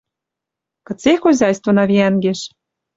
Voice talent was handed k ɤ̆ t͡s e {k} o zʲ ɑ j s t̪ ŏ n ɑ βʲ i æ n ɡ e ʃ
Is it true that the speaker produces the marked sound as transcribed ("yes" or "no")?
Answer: no